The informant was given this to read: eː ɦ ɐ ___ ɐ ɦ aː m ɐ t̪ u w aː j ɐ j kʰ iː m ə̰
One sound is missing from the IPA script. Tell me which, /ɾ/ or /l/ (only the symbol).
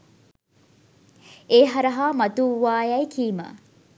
ɾ